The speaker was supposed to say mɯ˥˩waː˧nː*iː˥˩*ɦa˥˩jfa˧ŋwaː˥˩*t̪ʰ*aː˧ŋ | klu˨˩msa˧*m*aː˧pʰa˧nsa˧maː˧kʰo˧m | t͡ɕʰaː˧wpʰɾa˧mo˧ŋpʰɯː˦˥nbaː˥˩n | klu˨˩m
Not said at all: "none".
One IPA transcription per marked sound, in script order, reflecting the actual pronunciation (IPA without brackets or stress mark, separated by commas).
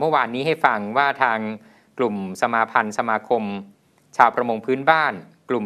iː˦˥, t̪ʰ, m